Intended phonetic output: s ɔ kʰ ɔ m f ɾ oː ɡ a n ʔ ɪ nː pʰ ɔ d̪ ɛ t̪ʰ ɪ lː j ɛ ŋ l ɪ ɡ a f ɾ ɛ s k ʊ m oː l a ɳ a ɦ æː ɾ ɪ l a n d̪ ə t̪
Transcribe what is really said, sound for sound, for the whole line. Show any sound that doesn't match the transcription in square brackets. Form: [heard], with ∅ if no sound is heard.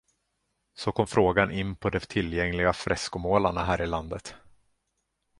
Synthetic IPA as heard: s ɔ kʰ ɔ m f ɾ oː ɡ a n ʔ ɪ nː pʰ ɔ d̪ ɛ t̪ʰ ɪ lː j ɛ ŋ l ɪ ɡ a f ɾ ɛ s k ʊ m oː l a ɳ a ɦ æː ɾ ɪ l a n d̪ ə t̪